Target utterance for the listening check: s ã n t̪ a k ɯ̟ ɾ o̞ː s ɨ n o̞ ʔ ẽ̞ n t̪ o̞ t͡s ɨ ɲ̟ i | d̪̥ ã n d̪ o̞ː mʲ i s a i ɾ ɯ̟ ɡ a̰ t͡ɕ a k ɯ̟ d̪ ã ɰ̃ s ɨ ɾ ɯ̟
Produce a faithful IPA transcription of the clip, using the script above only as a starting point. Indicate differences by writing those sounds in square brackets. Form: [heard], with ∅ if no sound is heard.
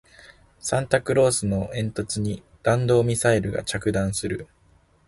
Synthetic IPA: s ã n t̪ a k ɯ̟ ɾ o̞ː s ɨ n o̞ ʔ ẽ̞ n t̪ o̞ t͡s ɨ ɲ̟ i | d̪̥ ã n d̪ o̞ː mʲ i s a i ɾ ɯ̟ ɡ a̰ t͡ɕ a k ɯ̟ d̪ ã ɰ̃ s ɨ ɾ ɯ̟